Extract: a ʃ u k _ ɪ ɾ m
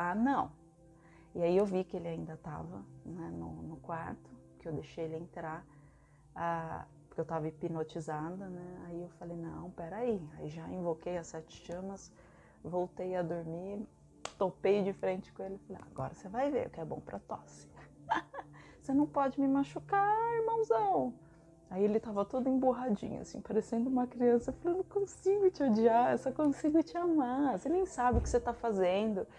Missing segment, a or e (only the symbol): a